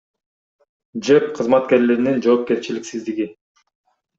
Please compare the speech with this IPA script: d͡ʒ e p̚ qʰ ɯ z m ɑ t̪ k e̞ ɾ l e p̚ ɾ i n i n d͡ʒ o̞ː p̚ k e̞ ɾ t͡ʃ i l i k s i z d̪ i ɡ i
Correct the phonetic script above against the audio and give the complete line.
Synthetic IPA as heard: d͡ʒ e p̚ qʰ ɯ z m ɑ t̪ k e̞ ɾ l e ɾ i n i n d͡ʒ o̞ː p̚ k e̞ ɾ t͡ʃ i l i k s i z d̪ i ɡ i